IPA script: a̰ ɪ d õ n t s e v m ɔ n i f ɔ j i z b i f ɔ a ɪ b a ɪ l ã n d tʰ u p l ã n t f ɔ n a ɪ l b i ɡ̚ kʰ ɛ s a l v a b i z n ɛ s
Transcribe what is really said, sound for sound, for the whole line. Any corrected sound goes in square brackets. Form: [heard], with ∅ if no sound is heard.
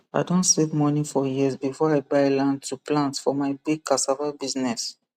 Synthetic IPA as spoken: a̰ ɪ d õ n t s e v m ɔ n i f ɔ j i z b i f ɔ a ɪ b a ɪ l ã n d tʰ u p l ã n t f ɔ [m] a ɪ [∅] b i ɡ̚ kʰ [a] s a [∅] v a b i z n ɛ s